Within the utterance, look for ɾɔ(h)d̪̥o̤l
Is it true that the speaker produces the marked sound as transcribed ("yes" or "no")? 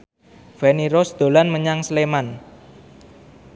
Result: no